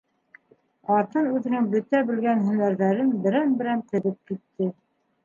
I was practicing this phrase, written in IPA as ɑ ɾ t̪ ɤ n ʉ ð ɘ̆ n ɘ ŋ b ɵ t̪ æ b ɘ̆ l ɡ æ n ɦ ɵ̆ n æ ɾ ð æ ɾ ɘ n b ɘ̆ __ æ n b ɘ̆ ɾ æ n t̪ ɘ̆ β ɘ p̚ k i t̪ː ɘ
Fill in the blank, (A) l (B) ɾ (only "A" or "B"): B